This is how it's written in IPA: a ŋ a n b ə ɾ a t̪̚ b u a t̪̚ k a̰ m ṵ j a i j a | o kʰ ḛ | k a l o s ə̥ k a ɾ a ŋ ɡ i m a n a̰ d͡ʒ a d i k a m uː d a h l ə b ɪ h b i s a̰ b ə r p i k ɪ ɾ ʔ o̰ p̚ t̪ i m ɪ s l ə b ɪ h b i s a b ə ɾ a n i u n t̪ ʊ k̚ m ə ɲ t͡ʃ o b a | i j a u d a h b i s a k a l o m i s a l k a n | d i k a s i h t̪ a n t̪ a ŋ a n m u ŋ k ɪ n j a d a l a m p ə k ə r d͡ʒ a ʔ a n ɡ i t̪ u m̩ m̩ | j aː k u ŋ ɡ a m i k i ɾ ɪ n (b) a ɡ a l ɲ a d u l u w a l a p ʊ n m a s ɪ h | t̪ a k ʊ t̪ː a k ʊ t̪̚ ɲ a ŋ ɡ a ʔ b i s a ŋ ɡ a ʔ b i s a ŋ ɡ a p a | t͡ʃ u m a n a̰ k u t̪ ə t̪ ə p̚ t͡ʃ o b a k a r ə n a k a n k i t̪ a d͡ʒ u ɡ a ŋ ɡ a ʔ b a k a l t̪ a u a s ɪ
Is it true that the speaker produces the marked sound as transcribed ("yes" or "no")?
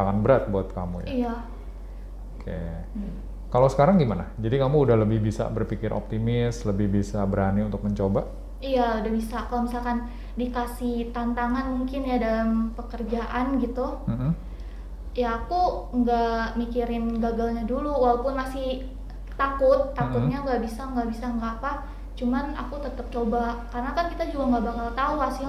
no